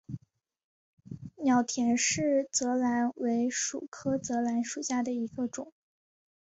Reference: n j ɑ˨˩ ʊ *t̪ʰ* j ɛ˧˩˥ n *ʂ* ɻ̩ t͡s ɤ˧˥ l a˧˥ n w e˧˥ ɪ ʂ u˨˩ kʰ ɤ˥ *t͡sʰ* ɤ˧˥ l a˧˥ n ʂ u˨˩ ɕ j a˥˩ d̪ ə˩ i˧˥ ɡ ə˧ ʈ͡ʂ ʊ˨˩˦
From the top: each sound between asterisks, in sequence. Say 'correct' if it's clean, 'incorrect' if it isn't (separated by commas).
correct, correct, incorrect